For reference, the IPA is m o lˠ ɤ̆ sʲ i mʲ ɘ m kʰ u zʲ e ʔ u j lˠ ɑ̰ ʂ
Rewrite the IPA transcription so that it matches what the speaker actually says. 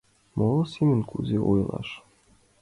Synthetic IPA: m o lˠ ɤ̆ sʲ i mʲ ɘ n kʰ u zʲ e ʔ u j lˠ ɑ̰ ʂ